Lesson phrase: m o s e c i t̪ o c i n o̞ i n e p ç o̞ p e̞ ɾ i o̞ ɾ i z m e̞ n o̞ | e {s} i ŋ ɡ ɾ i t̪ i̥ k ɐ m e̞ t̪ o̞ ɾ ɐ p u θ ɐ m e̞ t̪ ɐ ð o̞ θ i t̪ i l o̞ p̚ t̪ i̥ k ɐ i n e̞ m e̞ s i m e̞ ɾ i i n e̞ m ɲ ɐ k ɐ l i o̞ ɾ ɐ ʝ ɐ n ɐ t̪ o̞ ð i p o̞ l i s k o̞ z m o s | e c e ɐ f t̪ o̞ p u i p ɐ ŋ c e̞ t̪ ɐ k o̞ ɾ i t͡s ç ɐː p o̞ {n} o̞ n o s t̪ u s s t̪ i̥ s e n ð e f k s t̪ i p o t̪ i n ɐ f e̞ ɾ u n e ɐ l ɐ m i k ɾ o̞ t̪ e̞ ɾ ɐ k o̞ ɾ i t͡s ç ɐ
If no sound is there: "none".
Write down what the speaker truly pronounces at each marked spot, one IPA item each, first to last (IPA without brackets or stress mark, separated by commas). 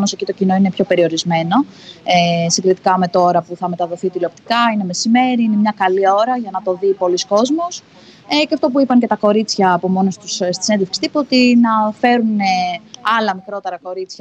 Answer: s, m